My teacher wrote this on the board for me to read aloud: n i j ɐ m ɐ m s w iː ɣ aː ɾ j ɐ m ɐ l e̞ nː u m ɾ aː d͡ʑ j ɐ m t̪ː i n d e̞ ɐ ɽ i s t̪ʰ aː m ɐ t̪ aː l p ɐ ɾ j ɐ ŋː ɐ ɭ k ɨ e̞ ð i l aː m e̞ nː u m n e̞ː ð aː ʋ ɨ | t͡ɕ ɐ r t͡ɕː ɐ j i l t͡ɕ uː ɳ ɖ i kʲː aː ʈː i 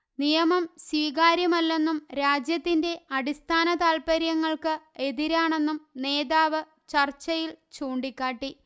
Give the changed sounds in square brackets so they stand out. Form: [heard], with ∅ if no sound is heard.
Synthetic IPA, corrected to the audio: n i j ɐ m ɐ m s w iː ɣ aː ɾ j ɐ m ɐ [lː] e̞ nː u m ɾ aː d͡ʑ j ɐ [∅] t̪ː i n d e̞ ɐ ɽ i s t̪ʰ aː [n] ɐ t̪ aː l p ɐ ɾ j ɐ ŋː ɐ ɭ k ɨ e̞ ð i [ɾ] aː [ɳ] e̞ nː u m n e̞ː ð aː ʋ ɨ | t͡ɕ ɐ r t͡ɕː ɐ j i l t͡ɕ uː ɳ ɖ i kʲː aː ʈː i